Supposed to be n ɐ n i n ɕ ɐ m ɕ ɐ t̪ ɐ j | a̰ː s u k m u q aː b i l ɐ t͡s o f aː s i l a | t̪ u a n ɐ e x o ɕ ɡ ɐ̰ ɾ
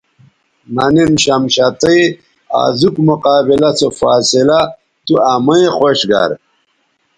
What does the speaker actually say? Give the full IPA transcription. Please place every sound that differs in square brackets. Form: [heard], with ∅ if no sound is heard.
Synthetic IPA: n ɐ n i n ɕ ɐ m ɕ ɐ t̪ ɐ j | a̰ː [z] u k m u q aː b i l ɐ t͡s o f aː s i l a | t̪ u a [m] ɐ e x o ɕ ɡ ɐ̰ ɾ